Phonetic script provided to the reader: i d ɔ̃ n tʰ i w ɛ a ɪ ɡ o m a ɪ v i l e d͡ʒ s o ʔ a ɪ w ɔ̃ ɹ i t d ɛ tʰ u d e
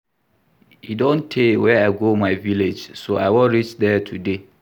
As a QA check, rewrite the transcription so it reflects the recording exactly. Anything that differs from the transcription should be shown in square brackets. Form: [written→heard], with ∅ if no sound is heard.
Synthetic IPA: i d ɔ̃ n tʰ [i→e] w ɛ a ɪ ɡ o m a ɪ v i l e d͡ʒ s o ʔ a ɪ w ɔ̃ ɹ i [t→t͡ʃ] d ɛ tʰ u d e

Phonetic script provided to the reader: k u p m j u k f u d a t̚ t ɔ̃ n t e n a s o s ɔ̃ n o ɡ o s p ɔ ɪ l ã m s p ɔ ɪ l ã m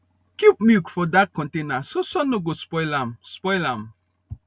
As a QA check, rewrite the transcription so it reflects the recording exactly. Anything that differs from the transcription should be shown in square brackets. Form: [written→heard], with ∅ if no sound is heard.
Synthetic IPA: k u p m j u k f [u→ɔ] d a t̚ [t→k] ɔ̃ n t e n a s o s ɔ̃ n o ɡ o s p ɔ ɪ l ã m s p ɔ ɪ l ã m

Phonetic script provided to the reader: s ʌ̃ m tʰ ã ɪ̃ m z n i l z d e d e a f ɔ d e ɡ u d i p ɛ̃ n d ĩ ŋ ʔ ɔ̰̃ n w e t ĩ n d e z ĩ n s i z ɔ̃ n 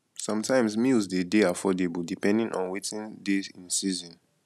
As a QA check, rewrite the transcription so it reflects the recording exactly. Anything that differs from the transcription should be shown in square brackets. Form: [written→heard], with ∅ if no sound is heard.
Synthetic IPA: s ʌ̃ m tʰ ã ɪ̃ m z [n→m] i l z d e d e a f ɔ d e [ɡ→b] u d i p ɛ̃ n d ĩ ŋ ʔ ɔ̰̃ n w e t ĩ n d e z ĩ n s i z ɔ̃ n

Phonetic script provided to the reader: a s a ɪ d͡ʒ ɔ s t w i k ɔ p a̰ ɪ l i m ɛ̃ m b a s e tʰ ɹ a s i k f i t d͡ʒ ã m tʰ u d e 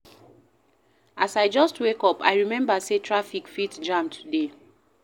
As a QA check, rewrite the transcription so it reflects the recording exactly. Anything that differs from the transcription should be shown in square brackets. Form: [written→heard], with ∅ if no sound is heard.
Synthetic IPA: a s a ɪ d͡ʒ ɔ s t w [i→e] k ɔ p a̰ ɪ [l→ɹ] i m ɛ̃ m b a s e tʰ ɹ a [s→f] i k f i t d͡ʒ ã m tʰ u d e

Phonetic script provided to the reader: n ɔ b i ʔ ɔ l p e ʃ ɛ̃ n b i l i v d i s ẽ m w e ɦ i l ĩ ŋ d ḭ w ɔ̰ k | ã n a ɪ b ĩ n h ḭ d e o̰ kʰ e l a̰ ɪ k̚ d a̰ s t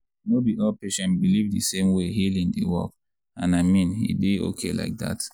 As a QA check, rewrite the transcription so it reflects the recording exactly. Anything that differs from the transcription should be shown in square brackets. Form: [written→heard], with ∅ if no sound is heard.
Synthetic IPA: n [ɔ→o] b i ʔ ɔ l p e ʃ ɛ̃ n b i l i v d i s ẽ m w e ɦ i l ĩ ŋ d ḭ w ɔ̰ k | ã n a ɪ [b→m] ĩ n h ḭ d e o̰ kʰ e l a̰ ɪ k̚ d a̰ [s→∅] t

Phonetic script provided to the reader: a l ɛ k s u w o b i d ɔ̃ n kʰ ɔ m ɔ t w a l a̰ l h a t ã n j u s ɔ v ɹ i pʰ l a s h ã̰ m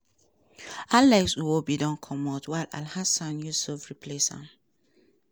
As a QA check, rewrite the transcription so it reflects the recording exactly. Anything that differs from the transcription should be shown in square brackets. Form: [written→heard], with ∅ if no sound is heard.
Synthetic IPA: a l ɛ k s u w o b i d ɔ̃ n kʰ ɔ m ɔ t w a l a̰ l h a [t→s] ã n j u s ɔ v ɹ i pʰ l [a→e] s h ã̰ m

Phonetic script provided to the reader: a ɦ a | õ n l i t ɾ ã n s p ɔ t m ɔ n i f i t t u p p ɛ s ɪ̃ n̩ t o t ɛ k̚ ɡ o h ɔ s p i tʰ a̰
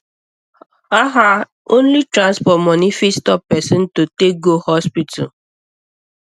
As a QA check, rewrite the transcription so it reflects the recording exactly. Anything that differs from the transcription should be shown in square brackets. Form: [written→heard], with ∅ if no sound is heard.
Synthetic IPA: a ɦ a | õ n l i t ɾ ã n s p ɔ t m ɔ n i f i [t→s] t [u→ɔ] p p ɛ s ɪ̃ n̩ t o t [ɛ→e] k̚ ɡ o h ɔ s p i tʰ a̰

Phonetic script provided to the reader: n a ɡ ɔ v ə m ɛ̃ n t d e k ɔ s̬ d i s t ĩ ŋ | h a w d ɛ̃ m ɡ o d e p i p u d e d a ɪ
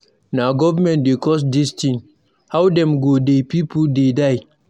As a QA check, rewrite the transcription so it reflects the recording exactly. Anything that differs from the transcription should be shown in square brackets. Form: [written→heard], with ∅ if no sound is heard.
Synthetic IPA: n a ɡ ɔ v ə m ɛ̃ n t d e k ɔ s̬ d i s t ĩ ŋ | h a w d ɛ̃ m ɡ o d e p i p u d e d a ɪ

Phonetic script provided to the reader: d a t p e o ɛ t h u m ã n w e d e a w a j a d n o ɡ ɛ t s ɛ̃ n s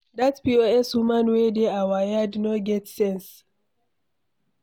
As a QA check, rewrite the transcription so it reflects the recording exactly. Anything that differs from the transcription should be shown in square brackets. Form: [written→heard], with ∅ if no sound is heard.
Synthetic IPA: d a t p [e→i] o ɛ [t→s] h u m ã n w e d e a w a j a d n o ɡ ɛ t s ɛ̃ n s

